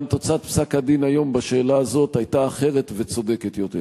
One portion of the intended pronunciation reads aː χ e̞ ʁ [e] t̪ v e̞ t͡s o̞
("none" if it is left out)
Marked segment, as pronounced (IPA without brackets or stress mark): e